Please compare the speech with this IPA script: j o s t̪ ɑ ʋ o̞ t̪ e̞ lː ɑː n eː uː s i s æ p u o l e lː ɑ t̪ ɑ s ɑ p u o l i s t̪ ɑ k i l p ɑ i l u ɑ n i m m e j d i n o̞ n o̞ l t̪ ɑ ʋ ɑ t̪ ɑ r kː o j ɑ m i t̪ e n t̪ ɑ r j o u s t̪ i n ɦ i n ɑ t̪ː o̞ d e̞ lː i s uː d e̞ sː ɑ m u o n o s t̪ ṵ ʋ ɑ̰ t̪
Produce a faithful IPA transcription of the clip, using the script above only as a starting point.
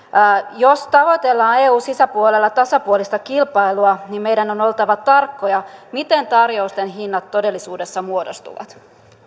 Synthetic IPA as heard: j o s t̪ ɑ ʋ o̞ t̪ e̞ lː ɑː n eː uː s i s æ p u o l e lː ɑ t̪ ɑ s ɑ p u o l i s t̪ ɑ k i l p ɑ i l u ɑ n i m m e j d æ n o̞ n o̞ l t̪ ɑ ʋ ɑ t̪ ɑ r kː o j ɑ m i t̪ e n t̪ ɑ r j o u s t̪ e n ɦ i nː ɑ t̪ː o̞ d e̞ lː i s uː d e̞ sː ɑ m u o d o s t̪ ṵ ʋ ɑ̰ t̪